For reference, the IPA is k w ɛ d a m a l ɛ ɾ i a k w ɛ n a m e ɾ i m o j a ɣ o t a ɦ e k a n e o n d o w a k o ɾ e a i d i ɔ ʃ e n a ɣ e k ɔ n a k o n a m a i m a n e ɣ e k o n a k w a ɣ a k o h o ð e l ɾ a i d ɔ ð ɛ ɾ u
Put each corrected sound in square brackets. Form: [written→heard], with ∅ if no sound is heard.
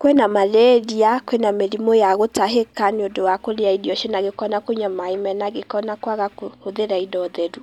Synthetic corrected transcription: k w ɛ [d→n] a m a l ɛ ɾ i a k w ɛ n a m e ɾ i m o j a ɣ o t a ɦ e k a n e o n d o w a k o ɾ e a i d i ɔ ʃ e n a ɣ e k ɔ n a k o [n→ɲ] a m a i m [a→ɛ] n [e→a] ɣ e k [o→ɔ] n a k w a ɣ a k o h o ð e [l→∅] ɾ a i d ɔ ð ɛ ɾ u